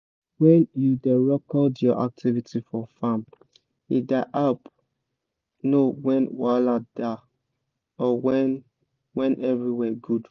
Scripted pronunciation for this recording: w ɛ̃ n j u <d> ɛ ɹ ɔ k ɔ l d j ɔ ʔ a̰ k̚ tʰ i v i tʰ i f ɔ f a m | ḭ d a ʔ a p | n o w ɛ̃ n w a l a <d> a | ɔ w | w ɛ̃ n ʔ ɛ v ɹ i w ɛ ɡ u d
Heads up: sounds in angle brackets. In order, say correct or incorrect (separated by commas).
correct, correct